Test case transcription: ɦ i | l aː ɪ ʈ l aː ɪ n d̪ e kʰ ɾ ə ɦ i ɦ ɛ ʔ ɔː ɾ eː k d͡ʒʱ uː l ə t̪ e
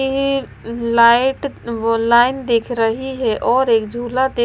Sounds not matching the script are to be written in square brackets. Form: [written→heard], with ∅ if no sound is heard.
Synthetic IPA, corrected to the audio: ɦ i | l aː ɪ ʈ l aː ɪ n d̪ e kʰ ɾ ə ɦ i ɦ ɛ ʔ ɔː ɾ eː k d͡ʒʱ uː l [ə→a] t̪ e